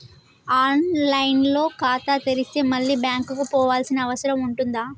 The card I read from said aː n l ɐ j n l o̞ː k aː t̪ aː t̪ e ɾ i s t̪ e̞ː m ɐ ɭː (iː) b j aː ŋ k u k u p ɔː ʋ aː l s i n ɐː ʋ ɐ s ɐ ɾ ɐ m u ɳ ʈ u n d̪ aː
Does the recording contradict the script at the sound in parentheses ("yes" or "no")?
no